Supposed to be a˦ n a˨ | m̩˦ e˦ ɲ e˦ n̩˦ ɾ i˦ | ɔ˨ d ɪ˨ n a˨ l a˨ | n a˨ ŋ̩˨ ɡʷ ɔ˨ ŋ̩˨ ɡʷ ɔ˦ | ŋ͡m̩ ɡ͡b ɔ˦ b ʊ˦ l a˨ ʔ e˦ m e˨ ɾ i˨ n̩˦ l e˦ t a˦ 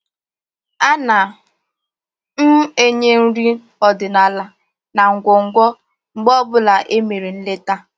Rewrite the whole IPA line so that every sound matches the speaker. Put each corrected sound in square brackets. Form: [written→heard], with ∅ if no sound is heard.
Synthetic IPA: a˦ n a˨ | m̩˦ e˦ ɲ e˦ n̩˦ ɾ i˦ | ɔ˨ d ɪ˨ n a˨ l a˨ | n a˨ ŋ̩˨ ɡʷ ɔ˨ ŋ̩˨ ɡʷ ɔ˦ | ŋ͡m̩ ɡ͡b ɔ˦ b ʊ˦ l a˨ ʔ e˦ m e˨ ɾ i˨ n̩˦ l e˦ t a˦